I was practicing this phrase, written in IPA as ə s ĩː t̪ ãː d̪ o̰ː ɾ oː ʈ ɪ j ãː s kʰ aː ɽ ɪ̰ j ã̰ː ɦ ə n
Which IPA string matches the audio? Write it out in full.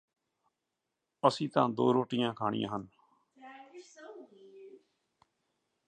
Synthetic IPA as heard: ə s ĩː t̪ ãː d̪ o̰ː ɾ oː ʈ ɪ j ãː kʰ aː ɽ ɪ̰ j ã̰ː ɦ ə n